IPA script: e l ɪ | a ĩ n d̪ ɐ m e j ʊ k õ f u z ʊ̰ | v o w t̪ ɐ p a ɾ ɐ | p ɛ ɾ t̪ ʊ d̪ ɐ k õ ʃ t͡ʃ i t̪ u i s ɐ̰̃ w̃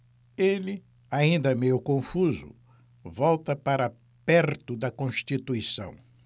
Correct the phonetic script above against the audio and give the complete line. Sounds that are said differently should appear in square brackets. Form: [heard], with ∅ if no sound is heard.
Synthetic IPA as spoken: e l ɪ | a ĩ n d̪ ɐ m e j ʊ k õ f u z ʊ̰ | v [ɔ] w t̪ ɐ p a ɾ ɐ | p ɛ ɾ t̪ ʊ d̪ ɐ k õ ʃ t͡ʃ i t̪ u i s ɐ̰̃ w̃